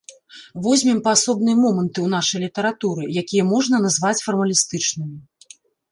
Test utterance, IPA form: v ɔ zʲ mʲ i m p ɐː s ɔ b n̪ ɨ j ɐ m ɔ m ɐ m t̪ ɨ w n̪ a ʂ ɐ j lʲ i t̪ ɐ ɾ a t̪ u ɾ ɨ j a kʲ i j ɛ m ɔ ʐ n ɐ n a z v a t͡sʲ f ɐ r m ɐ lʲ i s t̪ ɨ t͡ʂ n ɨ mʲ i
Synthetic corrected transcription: v ɔ zʲ mʲ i m p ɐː s ɔ b n̪ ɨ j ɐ m ɔ m ɐ n t̪ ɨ w n̪ a ʂ ɐ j lʲ i t̪ ɐ ɾ a t̪ u ɾ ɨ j a kʲ i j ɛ m ɔ ʐ n ɐ n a z v a t͡sʲ f ɐ r m ɐ lʲ i s t̪ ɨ t͡ʂ n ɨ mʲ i